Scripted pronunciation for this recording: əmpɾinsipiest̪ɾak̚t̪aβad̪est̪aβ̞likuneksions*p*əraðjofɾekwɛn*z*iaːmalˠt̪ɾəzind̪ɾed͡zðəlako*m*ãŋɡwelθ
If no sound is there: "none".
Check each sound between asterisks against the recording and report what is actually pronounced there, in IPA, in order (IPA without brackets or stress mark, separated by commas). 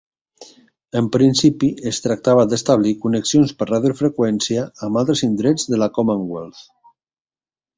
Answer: p, s, m